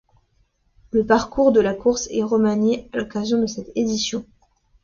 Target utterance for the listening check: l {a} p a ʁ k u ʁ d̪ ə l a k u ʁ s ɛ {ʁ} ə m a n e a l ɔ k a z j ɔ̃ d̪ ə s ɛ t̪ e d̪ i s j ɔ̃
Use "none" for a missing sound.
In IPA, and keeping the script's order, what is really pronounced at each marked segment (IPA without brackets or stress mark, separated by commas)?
ə, ʁ